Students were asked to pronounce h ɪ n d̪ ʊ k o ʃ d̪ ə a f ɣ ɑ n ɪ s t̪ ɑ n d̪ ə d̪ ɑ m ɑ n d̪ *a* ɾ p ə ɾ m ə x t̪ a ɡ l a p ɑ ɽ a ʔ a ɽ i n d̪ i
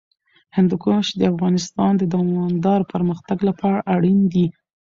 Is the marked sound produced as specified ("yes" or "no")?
no